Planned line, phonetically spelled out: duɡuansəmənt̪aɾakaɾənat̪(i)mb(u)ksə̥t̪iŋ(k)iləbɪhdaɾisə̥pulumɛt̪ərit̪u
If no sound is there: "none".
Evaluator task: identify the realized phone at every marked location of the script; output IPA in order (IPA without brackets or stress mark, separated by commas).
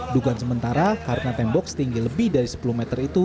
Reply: ɛ, ɔ, ɡ